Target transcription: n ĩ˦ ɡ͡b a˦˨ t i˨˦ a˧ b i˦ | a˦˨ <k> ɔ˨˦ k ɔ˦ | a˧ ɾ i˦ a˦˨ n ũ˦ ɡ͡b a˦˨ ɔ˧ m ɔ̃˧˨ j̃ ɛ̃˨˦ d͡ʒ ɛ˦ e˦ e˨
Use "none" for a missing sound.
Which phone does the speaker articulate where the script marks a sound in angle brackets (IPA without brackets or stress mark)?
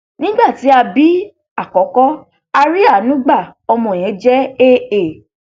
k